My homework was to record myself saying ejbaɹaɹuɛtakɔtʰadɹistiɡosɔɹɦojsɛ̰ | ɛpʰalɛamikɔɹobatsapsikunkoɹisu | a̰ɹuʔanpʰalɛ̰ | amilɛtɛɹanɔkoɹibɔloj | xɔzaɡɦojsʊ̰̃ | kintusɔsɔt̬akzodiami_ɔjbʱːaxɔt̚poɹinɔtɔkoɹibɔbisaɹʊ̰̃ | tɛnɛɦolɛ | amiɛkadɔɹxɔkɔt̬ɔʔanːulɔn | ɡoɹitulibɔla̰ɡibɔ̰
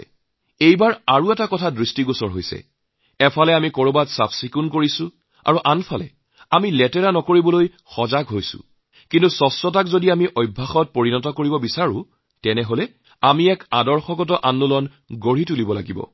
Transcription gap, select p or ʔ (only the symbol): ʔ